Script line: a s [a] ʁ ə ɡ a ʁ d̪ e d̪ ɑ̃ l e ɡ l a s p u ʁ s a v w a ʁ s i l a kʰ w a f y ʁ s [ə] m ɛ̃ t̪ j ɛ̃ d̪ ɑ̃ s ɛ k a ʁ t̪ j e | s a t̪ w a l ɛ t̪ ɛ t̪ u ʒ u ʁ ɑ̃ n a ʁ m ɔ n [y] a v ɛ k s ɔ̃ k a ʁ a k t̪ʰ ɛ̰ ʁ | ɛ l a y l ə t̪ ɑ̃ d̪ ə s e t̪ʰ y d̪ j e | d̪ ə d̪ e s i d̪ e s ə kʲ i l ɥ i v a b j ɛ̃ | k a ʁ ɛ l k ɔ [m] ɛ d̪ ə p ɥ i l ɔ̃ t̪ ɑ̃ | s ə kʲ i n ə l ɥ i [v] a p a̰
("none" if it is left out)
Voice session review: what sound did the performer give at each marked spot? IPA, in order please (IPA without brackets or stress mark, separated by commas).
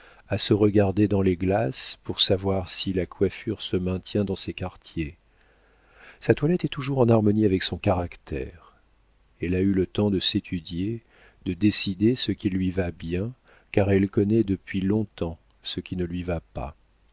ə, ə, i, n, v